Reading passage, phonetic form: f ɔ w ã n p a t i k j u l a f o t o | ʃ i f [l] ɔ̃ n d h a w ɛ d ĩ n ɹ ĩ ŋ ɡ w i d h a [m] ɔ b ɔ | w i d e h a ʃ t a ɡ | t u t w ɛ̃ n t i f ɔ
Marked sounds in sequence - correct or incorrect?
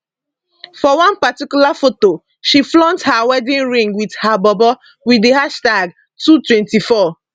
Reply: correct, incorrect: b

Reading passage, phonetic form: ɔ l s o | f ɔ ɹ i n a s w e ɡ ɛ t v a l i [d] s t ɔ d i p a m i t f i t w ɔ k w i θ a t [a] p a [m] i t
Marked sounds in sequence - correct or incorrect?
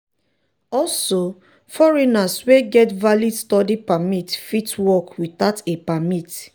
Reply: correct, incorrect: e, correct

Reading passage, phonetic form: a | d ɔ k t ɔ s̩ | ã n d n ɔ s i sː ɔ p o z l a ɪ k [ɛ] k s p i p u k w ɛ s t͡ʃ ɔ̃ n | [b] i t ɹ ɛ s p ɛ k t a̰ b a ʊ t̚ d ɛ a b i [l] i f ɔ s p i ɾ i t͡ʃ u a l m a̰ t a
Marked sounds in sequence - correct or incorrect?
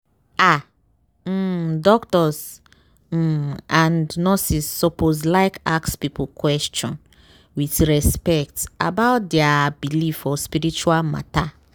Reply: incorrect: a, incorrect: w, correct

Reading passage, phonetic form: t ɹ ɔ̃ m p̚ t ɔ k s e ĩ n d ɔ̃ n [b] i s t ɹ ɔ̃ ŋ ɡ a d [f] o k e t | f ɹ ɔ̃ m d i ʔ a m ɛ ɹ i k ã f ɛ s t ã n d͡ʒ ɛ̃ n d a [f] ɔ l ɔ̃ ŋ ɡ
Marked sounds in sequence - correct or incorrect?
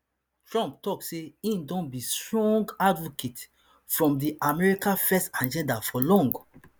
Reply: correct, incorrect: v, correct

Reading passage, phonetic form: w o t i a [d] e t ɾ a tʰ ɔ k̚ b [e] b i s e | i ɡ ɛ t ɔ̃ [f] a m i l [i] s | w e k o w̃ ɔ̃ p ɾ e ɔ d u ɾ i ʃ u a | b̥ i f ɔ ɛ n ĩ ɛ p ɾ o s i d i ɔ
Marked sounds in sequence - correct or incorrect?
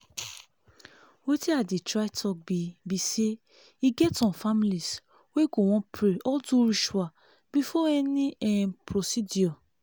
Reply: correct, incorrect: i, correct, correct

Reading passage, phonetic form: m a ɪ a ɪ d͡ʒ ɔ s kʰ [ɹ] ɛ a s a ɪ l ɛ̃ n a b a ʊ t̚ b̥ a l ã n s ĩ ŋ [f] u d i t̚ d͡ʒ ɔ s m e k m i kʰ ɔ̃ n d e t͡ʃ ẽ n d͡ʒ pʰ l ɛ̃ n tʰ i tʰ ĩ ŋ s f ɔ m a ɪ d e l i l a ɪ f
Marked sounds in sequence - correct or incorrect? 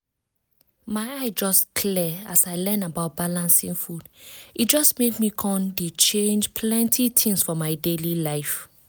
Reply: incorrect: l, correct

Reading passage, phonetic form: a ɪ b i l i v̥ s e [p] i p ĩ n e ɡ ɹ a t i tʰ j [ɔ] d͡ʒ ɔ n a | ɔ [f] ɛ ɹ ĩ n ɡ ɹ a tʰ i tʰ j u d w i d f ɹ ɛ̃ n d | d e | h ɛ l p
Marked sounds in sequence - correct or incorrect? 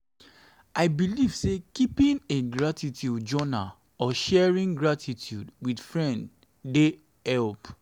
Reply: incorrect: k, incorrect: u, incorrect: ʃ

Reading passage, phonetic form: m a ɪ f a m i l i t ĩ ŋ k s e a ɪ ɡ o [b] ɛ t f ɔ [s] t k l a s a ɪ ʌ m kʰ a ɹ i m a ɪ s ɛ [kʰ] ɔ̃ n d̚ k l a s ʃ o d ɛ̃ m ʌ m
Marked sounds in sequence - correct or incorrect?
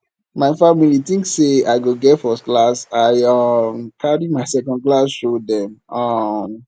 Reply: incorrect: ɡ, correct, incorrect: k

